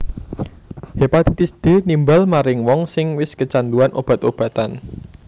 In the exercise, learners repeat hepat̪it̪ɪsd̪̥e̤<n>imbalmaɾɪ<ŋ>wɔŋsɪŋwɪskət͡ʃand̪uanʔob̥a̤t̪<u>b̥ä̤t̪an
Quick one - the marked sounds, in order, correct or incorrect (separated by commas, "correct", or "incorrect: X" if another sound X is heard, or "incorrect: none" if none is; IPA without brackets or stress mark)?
correct, correct, incorrect: o